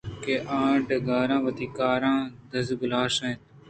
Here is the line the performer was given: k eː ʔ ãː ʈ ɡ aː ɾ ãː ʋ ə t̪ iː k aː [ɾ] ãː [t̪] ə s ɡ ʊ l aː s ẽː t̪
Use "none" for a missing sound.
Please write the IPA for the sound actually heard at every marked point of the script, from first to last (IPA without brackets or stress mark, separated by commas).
ɾ, d̪